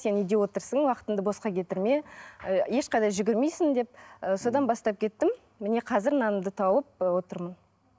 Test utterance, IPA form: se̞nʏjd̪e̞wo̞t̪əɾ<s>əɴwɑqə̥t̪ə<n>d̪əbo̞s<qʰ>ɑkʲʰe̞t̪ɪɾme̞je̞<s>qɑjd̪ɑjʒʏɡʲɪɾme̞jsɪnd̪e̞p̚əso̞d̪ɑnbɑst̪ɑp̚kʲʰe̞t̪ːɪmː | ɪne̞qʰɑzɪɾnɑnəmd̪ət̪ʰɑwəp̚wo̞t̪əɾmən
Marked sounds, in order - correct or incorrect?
correct, correct, incorrect, incorrect

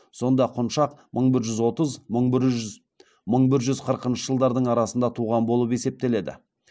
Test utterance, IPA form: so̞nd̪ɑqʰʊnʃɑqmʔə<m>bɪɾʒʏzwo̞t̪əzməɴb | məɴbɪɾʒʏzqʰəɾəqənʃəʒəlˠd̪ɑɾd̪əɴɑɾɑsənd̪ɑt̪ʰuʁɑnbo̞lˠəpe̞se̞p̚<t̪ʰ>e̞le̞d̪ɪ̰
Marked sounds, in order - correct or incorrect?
incorrect, incorrect

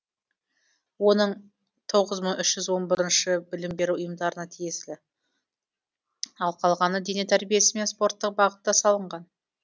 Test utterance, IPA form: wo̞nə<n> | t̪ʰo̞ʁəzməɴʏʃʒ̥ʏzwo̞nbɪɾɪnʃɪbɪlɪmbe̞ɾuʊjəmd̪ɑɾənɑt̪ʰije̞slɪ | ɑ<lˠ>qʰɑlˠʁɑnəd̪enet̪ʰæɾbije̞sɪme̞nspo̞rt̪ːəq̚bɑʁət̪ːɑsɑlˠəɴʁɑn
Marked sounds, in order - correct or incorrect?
incorrect, correct

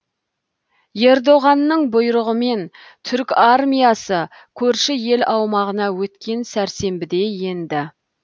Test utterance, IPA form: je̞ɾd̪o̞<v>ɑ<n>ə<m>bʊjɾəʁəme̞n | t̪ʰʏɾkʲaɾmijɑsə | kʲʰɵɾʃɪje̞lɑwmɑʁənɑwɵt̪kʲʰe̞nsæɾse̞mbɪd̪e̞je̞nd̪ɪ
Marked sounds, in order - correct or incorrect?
incorrect, incorrect, incorrect

